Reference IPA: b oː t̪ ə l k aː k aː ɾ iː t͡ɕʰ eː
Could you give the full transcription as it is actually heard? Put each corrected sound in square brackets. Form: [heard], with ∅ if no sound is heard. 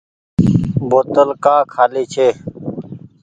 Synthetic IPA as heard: b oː t̪ ə l k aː [kʰ] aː [l] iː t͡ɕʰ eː